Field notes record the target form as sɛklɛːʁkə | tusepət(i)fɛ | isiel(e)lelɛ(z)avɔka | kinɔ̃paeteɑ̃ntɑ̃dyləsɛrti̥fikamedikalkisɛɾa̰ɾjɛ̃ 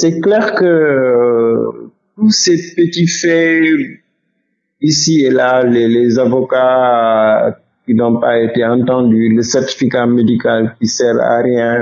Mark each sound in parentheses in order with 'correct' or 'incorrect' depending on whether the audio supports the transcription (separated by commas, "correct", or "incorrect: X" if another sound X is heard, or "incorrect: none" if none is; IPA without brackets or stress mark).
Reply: correct, incorrect: a, correct